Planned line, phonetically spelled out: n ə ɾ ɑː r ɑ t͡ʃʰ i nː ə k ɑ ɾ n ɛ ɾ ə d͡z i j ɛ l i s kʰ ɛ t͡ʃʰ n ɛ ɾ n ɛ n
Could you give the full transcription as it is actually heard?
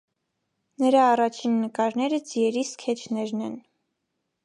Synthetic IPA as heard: n ə ɾ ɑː r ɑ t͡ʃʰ i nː ə k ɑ ɾ n ɛ ɾ ə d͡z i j ɛ ɾ i s kʰ ɛ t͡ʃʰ n ɛ ɾ n ɛ n